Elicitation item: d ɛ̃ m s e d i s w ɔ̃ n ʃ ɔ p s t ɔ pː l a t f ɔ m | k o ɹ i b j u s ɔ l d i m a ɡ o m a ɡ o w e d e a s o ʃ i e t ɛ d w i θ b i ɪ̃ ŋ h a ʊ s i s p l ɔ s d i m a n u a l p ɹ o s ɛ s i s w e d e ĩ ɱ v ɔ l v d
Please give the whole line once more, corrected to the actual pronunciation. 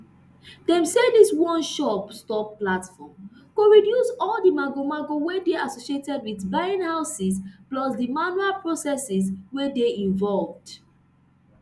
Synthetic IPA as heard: d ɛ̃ m s e d i s w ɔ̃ n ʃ ɔ p s t ɔ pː l a t f ɔ m | k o ɹ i d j u s ɔ l d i m a ɡ o m a ɡ o w e d e a s o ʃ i e t ɛ d w i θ b a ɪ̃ n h a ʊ s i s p l ɔ s d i m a n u a l p ɹ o s ɛ s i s w e d e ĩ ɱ v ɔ l v d

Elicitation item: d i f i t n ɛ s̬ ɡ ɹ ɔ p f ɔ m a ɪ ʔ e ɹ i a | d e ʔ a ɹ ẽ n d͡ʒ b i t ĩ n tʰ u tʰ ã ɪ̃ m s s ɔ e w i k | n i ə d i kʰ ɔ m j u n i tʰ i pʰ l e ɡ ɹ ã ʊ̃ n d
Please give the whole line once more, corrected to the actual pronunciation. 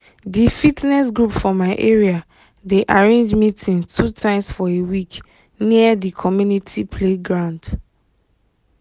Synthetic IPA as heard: d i f i t n ɛ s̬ ɡ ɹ u p f ɔ m a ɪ ʔ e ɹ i a | d e ʔ a ɹ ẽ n d͡ʒ m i t ĩ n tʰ u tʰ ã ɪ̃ m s f ɔ e w i k | n i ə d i kʰ ɔ m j u n i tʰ i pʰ l e ɡ ɹ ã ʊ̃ n d

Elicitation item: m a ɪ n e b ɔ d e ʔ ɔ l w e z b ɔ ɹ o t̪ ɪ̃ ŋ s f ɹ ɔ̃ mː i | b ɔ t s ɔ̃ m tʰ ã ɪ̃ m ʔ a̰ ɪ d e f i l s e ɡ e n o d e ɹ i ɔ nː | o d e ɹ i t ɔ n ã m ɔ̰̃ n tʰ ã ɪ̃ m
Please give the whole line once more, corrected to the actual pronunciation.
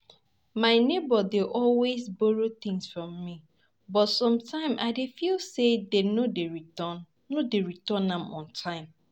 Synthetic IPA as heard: m a ɪ n e b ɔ d e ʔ ɔ l w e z b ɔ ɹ o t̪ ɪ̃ ŋ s f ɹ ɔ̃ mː i | b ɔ t s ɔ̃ m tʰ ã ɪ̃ m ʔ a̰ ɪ d e f i l s e d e n o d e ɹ i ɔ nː | o d e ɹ i t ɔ n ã m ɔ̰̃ n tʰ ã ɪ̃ m

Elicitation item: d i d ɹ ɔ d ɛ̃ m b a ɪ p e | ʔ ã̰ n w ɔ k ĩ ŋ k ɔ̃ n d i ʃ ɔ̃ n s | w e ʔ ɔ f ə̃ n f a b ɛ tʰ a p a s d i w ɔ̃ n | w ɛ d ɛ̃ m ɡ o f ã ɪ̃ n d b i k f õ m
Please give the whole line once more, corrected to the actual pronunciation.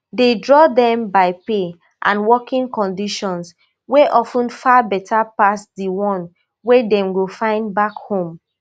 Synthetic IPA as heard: d e d ɹ ɔ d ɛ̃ m b a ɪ p e | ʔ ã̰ n w ɔ k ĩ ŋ k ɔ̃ n d i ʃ ɔ̃ n s | w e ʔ ɔ f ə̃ n f a b ɛ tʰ a p a s d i w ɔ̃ n | w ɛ d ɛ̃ m ɡ o f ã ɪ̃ n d b a k h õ m

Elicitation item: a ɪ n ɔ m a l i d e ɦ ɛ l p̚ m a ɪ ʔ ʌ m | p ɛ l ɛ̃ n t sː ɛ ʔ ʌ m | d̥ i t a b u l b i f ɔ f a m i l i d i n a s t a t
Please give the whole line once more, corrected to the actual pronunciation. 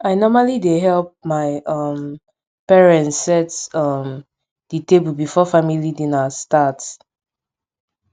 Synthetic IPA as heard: a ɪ n ɔ m a l i d e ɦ ɛ l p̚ m a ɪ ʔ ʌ m | p ɛ ɹ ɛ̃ n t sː ɛ t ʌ m | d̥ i t e b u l b i f ɔ f a m i l i d i n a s t a t

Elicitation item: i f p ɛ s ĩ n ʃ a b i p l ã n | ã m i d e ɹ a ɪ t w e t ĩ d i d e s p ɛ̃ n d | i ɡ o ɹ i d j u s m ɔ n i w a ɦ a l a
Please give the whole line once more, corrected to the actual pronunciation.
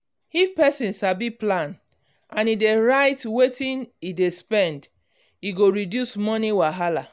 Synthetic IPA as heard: i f p ɛ s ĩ n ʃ a b i p l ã n | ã n i d e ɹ a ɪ t w e t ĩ n i d e s p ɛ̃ n d | i ɡ o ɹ i d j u s m ɔ n i w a ɦ a l a

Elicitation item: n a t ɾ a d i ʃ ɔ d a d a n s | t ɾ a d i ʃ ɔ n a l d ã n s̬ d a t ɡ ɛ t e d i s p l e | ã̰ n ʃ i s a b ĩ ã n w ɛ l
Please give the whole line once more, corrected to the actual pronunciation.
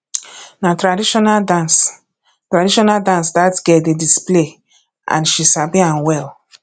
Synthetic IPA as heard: n a t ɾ a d i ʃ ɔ n a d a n s | t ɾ a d i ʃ ɔ n a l d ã n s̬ d a t ɡ ɛ d e d i s p l e | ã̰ n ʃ i s a b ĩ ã n w ɛ l

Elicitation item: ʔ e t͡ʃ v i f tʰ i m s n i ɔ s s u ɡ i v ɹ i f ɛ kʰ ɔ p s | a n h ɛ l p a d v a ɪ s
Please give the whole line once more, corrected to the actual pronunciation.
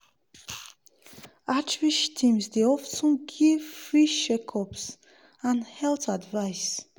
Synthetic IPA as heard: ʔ a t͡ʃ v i ʃ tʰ i m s d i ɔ f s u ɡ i f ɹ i ʃ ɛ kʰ ɔ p s | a n h ɛ l t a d v a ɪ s

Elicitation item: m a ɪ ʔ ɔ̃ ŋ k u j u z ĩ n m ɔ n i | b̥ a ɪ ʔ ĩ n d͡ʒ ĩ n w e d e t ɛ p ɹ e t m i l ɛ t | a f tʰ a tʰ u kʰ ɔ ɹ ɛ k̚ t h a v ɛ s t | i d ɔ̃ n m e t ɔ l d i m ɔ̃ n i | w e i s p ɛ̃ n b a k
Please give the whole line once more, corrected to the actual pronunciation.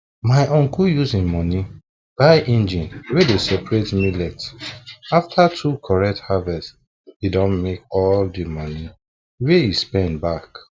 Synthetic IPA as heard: m a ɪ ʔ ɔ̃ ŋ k u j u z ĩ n m ɔ n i | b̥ a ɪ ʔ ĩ n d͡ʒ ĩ n w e d e s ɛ p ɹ e t m i l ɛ t | a f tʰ a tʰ u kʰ ɔ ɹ ɛ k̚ t h a v ɛ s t | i d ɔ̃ n m e k ɔ l d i m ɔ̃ n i | w e i s p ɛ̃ n b a k

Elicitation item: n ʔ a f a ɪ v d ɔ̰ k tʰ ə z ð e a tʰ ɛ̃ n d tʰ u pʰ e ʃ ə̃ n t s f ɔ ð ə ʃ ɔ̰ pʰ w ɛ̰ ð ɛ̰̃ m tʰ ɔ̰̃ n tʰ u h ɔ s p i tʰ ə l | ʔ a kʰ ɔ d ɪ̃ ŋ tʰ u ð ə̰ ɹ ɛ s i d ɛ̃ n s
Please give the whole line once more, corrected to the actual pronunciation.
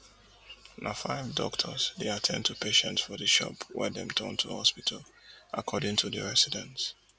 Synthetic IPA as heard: n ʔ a f a ɪ v d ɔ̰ k tʰ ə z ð e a tʰ ɛ̃ n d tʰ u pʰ e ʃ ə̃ n t s f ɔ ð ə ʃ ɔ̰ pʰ w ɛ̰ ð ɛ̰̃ m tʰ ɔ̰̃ n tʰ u h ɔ s p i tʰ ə l | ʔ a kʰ ɔ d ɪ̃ ŋ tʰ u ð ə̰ ɹ ɛ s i d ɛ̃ n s

